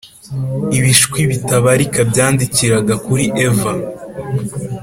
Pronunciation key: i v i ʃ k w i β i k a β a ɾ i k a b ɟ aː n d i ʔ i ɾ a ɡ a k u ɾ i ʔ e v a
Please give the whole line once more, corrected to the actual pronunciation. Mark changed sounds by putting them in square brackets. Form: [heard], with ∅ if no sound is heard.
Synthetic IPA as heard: i [β] i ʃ k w i β i [t] a β a ɾ i k a b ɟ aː n d i [c] i ɾ a ɡ a k u ɾ i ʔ e v a